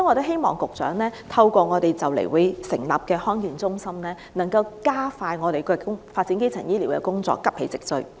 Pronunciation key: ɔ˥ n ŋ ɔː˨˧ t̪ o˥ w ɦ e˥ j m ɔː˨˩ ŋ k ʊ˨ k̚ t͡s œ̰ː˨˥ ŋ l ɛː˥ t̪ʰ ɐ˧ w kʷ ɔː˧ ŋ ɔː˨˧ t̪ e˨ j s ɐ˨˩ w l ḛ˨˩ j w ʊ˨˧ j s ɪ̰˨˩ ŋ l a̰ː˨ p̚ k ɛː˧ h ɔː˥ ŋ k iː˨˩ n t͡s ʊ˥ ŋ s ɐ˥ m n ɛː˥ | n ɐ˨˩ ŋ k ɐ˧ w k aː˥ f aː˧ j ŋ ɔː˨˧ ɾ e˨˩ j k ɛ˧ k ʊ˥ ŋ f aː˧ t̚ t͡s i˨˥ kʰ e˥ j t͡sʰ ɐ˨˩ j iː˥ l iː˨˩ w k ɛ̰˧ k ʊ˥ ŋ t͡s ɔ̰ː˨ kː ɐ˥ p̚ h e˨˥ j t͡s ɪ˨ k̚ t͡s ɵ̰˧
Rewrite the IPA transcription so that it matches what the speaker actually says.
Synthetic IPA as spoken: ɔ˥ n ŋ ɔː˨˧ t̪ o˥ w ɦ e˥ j m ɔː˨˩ ŋ k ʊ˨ k̚ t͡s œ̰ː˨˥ ŋ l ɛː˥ t̪ʰ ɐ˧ w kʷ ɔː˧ ŋ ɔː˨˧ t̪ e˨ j t͡s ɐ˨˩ w l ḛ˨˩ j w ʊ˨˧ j s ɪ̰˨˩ ŋ l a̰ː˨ p̚ k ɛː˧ h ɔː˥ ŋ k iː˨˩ n t͡s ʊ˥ ŋ s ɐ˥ m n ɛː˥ | n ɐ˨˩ ŋ k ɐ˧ w k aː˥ f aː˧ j ŋ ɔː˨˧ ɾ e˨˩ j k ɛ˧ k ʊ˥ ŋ f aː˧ t̚ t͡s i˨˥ k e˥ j t͡sʰ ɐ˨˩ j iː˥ l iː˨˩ w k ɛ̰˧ k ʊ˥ ŋ t͡s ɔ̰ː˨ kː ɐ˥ p̚ h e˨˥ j t͡s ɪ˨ k̚ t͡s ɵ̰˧